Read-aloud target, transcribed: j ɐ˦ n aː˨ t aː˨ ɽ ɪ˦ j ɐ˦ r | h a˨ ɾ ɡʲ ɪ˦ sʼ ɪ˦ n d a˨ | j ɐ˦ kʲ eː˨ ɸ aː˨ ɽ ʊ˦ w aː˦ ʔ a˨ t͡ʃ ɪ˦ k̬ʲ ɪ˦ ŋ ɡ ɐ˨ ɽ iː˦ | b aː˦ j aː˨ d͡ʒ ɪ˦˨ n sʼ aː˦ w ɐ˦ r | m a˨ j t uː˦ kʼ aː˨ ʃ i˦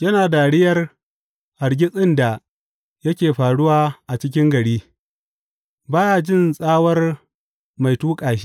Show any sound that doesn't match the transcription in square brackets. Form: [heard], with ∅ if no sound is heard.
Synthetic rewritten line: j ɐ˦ n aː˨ [d] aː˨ ɽ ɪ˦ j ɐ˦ r | h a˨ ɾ ɡʲ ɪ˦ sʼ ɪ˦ n d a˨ | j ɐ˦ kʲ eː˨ ɸ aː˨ ɽ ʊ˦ w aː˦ ʔ a˨ t͡ʃ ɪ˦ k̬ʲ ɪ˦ ŋ ɡ ɐ˨ ɽ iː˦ | b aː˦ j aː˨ d͡ʒ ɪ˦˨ n sʼ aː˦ w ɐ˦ r | m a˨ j t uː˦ kʼ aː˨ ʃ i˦